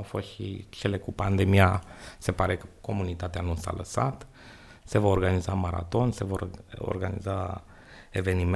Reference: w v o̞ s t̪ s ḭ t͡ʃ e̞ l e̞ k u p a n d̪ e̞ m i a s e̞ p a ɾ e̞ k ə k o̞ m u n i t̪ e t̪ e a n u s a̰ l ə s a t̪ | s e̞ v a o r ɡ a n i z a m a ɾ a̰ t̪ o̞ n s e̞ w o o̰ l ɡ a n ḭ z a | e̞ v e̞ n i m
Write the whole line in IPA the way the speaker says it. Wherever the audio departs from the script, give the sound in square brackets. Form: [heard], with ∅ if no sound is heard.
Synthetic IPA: w [f] o̞ s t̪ [ʃ] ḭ t͡ʃ e̞ l e̞ k u p a n d̪ e̞ m i a s e̞ p a ɾ e̞ k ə k o̞ m u n i t̪ [a] t̪ e a n u s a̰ l ə s a t̪ | s e̞ v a o r ɡ a n i z a m a ɾ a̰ t̪ o̞ n s e̞ [v] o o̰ [r] ɡ a n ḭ z a | e̞ v e̞ n i m